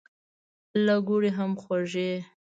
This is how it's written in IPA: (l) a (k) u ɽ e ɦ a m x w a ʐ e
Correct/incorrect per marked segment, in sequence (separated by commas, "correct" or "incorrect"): correct, incorrect